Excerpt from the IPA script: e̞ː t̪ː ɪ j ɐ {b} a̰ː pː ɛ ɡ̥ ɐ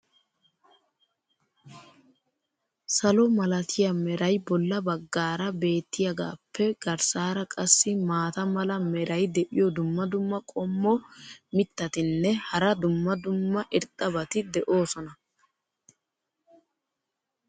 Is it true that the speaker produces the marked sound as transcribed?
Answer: no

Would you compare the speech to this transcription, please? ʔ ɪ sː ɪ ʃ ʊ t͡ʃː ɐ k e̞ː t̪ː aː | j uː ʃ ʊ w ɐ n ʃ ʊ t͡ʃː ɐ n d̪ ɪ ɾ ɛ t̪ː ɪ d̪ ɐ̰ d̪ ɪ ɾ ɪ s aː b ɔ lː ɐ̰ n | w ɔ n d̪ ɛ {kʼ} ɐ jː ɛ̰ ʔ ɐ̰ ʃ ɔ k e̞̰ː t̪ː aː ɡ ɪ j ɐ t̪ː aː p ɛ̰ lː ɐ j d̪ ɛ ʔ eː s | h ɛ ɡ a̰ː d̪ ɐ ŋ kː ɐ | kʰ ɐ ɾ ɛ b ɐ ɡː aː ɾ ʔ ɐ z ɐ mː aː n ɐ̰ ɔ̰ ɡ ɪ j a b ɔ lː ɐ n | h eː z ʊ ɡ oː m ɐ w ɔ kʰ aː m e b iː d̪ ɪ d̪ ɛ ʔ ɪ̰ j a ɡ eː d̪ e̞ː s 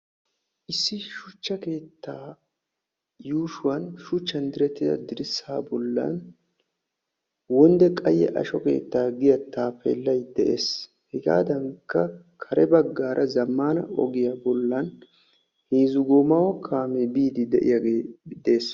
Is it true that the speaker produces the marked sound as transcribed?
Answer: yes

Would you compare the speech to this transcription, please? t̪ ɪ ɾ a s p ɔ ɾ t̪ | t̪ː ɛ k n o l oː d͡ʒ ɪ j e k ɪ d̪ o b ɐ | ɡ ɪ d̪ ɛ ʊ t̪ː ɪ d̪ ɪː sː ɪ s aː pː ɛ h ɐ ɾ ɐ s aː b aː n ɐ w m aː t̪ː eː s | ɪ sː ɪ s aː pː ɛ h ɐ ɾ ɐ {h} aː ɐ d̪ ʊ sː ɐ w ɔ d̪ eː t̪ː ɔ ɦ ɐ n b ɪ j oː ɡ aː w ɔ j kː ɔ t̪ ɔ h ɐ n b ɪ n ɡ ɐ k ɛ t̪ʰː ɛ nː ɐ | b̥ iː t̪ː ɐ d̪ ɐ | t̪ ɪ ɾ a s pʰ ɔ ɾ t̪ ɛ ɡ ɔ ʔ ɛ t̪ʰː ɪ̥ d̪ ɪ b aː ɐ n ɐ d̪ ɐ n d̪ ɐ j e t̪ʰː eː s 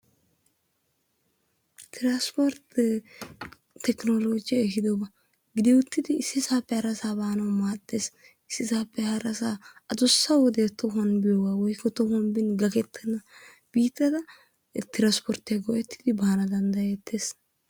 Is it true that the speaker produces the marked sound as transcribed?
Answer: no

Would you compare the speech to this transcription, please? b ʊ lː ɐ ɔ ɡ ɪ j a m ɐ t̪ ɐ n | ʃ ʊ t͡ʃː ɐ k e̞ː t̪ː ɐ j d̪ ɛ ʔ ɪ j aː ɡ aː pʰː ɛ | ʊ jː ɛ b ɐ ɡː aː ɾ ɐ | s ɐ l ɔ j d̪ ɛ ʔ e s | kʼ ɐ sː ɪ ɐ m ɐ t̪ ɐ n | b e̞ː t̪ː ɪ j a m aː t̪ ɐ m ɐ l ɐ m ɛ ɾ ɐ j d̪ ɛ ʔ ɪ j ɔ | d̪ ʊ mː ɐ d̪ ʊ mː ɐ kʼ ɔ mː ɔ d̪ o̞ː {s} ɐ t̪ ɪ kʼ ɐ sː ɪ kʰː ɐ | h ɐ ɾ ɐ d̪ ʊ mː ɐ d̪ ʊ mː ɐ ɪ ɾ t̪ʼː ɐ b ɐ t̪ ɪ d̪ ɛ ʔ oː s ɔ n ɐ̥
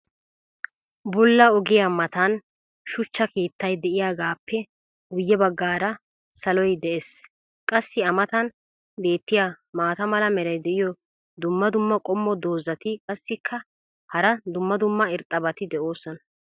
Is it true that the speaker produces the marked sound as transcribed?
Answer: no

